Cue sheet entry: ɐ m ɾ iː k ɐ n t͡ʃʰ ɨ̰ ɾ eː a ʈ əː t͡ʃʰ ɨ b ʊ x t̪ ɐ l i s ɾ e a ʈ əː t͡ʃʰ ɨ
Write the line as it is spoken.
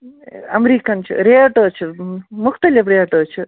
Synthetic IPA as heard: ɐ m ɾ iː k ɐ n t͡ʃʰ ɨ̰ ɾ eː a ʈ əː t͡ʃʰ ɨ m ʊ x t̪ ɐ l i f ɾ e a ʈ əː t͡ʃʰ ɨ